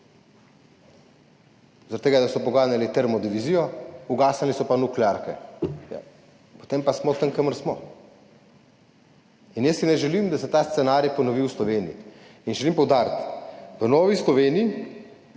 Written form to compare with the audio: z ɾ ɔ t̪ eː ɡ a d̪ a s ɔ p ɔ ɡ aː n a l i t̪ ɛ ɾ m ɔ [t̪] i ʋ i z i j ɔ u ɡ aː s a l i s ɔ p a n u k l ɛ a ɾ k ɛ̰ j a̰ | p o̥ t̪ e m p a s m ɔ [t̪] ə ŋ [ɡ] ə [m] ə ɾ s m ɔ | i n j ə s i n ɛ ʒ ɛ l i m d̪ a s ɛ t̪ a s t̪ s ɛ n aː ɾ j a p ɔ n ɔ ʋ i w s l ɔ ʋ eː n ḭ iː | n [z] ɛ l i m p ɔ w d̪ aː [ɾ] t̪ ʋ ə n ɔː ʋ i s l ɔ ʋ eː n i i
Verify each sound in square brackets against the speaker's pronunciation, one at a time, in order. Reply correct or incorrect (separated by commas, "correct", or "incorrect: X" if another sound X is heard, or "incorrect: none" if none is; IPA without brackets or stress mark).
incorrect: d̪, correct, incorrect: k, correct, incorrect: ʒ, correct